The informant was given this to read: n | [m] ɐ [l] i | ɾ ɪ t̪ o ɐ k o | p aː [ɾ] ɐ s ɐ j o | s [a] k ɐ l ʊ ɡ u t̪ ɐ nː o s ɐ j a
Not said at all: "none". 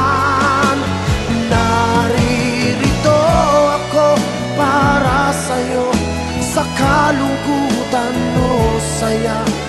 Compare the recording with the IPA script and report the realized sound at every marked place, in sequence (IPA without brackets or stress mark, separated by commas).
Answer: n, ɾ, ɾ, ɐ